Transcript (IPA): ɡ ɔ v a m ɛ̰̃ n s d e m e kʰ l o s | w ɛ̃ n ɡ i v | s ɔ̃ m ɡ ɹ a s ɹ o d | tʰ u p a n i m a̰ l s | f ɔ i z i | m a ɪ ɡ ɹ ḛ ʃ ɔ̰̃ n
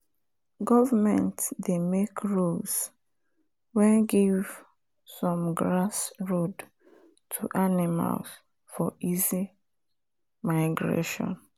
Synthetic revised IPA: ɡ ɔ v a m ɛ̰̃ n t d e m e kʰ ɹ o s | w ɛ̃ n ɡ i v | s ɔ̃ m ɡ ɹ a s ɹ o d | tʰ u ʔ a n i m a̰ l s | f ɔ i z i | m a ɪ ɡ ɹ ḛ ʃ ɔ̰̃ n

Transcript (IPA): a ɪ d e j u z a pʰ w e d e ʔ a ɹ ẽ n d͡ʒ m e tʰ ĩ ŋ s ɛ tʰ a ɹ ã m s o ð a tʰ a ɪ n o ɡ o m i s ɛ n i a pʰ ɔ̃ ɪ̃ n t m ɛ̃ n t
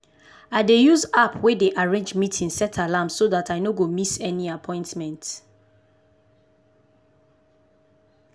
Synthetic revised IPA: a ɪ d e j u z a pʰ w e d e ʔ a ɹ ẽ n d͡ʒ m i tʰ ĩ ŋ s ɛ tʰ a l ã m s o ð a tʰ a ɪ n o ɡ o m i s ɛ n i a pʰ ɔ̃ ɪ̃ n t m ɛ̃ n t

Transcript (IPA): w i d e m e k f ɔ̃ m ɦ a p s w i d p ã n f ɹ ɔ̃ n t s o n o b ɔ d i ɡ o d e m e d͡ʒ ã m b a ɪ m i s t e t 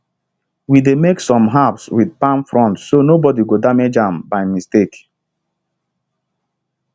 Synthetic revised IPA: w i d e m e k s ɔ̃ m ɦ a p s w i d p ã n f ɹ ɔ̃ n t s o n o b ɔ d i ɡ o d a m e d͡ʒ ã m b a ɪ m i s t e k

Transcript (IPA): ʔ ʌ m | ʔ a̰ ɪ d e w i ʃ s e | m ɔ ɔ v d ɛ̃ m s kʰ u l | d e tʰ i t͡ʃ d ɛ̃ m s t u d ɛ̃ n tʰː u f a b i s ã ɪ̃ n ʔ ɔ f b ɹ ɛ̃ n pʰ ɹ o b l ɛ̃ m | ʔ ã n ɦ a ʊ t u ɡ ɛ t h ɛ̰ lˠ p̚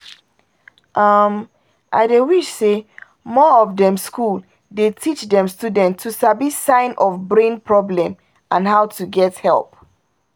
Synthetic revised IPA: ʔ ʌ m | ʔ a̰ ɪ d e w i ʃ s e | m ɔ ɔ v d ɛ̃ m s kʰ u l | d e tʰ i t͡ʃ d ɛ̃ m s t u d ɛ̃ n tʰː u s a b i s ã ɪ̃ n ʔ ɔ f b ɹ ẽ n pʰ ɹ ɔ b l ɛ̃ m | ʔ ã n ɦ a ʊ t u ɡ ɛ t h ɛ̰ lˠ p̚

